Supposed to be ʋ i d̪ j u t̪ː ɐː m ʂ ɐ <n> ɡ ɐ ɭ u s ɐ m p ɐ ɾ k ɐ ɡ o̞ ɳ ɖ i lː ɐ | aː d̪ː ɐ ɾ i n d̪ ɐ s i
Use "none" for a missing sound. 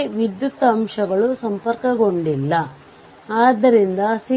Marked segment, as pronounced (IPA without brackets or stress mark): none